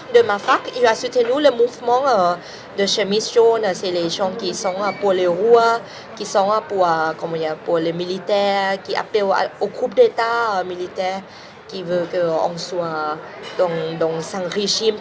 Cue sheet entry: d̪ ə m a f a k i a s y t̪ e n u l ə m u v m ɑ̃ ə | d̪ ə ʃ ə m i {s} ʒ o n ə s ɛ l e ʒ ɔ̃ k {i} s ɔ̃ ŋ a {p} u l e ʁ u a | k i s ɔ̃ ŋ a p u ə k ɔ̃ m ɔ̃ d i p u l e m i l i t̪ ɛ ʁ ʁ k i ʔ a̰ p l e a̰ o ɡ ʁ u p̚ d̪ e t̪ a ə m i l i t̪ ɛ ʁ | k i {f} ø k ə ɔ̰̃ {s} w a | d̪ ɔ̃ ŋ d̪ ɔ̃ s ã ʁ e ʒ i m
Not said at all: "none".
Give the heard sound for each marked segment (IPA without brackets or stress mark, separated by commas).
s, i, p, v, s